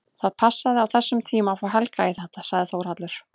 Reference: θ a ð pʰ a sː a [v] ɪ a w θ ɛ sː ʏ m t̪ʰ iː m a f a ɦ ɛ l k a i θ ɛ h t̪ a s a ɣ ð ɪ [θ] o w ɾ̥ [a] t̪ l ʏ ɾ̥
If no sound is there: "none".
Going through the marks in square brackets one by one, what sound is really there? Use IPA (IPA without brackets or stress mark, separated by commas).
ð, θ, a